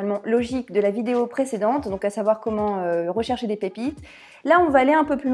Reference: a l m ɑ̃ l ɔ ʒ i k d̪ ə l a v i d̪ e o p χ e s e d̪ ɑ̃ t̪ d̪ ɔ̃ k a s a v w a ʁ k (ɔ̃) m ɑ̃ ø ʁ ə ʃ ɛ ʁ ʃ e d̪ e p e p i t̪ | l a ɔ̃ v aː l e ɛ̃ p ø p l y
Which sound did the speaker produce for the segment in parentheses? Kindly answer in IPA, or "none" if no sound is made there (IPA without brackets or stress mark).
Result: ɔ